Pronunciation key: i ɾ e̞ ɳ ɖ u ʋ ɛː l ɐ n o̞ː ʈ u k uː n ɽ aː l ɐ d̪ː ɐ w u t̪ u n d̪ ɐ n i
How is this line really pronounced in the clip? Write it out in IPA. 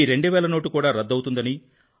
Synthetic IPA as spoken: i ɾ e̞ ɳ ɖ u ʋ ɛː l ɐ n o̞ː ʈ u k uː ɽ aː ɾ ɐ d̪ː ɐ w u t̪ u n d̪ ɐ n i

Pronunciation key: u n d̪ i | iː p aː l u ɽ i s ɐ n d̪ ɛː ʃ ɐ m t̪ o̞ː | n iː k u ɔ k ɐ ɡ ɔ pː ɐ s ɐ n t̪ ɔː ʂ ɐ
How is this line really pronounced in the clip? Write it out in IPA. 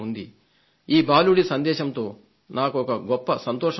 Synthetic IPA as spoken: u n d̪ i | iː b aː l u ɽ i s ɐ n d̪ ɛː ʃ ɐ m t̪ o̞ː | n aː k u ɔ k ɐ ɡ ɔ pː ɐ s ɐ n t̪ ɔː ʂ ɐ

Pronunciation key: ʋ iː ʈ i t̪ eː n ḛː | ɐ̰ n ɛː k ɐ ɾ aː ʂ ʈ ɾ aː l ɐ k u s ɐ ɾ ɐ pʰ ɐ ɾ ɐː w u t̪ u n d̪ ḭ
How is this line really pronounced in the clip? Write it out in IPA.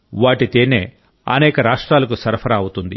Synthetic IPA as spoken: ʋ aː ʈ i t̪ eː n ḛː | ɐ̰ n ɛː k ɐ ɾ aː ʂ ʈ ɾ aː l ɐ k u s ɐ ɾ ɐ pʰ ɐ ɾ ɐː w u t̪ u n d̪ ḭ

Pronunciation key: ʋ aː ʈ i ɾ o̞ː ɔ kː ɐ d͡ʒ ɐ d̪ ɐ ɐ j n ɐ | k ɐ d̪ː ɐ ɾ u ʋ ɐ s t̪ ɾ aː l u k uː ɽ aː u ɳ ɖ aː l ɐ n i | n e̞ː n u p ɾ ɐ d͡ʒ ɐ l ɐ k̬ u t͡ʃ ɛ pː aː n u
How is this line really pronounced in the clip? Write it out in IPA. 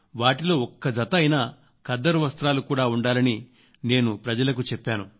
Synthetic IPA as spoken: ʋ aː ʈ i l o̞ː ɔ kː ɐ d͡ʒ ɐ t̪ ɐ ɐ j n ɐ | k ɐ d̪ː ɐ ɾ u ʋ ɐ s t̪ ɾ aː l u k uː ɽ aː u ɳ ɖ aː l ɐ n i | n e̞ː n u p ɾ ɐ d͡ʒ ɐ l ɐ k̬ u t͡ʃ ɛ pː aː n u

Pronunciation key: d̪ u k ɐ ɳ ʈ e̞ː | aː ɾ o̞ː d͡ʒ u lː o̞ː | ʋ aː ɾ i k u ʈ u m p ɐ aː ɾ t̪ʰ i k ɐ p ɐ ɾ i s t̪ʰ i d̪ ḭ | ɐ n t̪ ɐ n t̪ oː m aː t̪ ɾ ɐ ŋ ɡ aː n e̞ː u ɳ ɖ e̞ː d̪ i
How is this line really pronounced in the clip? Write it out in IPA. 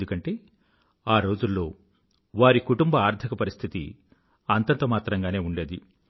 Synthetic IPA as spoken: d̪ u k ɐ ɳ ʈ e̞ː | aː ɾ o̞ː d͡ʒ u lː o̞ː | ʋ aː ɾ i k u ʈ u m b ɐ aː ɾ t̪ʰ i k ɐ p ɐ ɾ i s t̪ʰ i t̪ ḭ | ɐ n t̪ ɐ n t̪ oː m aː t̪ ɾ ɐ ŋ ɡ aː n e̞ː u ɳ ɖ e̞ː d̪ i

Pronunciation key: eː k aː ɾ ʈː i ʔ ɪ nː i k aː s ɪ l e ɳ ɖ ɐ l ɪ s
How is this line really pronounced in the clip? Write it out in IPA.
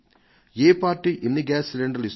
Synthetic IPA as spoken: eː p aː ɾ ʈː i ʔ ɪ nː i ɡ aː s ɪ l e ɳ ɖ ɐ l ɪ s

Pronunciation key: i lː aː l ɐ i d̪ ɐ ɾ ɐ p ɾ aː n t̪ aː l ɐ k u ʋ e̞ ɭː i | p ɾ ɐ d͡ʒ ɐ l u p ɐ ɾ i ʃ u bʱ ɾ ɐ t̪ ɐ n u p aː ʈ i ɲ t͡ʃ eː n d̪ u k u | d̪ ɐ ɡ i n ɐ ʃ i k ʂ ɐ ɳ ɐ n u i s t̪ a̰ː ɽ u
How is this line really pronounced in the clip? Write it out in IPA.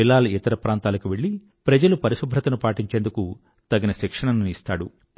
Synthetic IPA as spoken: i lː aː l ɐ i t̪ ɐ ɾ ɐ p ɾ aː n t̪ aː l ɐ k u ʋ e̞ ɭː i | p ɾ ɐ d͡ʒ ɐ l u p ɐ ɾ i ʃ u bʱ ɾ ɐ t̪ ɐ n u p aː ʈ i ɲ t͡ʃ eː n d̪ u k u | t̪ ɐ ɡ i n ɐ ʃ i k ʂ ɐ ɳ ɐ n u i s t̪ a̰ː ɽ u

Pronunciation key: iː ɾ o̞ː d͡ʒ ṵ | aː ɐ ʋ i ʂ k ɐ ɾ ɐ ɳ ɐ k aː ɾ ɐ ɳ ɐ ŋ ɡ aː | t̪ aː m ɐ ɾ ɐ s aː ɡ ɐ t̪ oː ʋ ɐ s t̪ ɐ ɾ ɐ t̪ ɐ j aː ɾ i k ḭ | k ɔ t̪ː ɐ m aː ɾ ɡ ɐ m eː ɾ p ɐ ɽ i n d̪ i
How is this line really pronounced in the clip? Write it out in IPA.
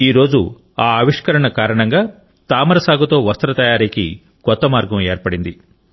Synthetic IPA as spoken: iː ɾ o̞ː d͡ʒ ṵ | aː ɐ ʋ i ʂ k ɐ ɾ ɐ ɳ ɐ k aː ɾ ɐ ɳ ɐ ŋ ɡ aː | t̪ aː m ɐ ɾ ɐ s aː ɡ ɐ t̪ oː ʋ ɐ s t̪ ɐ ɾ ɐ t̪ ɐ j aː ɾ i k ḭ | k ɔ t̪ː ɐ m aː ɾ ɡ ɐ m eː ɾ p ɐ ɽ i n d̪ i

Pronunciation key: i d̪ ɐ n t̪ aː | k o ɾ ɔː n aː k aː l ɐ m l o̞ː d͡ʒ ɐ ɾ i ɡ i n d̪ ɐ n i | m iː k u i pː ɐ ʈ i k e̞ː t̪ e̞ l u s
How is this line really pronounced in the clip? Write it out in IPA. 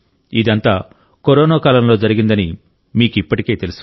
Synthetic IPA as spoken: i d̪ ɐ n t̪ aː | k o ɾ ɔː n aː k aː l ɐ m l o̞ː d͡ʒ ɐ ɾ i ɡ i n d̪ ɐ n i | m iː k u i pː ɐ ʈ i k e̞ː t̪ e̞ l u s

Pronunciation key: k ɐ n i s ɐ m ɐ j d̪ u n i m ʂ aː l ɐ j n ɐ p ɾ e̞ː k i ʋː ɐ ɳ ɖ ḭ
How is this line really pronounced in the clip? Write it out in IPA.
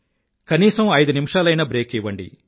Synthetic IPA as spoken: k ɐ n iː s ɐ m ɐ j d̪ u n i m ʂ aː l ɐ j n ɐ b ɾ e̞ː k i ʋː ɐ ɳ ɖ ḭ

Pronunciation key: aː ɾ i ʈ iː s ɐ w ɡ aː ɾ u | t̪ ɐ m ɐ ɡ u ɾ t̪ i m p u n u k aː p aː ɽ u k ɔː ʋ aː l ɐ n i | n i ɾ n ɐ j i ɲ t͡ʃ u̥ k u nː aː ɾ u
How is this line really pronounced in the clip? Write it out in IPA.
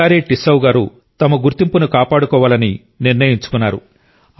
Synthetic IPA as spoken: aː ɾ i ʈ i s ɐ w ɡ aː ɾ u | t̪ ɐ m ɐ ɡ u ɾ t̪ i m p u n u k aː p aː ɽ u k ɔː ʋ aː l ɐ n i | n i ɾ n ɐ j i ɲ t͡ʃ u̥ k u nː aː ɾ u

